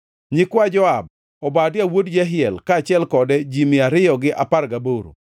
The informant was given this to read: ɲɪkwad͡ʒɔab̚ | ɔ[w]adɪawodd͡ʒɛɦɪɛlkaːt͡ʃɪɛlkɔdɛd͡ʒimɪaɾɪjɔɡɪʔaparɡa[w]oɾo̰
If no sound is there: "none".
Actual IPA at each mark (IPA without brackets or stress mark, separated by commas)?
b, b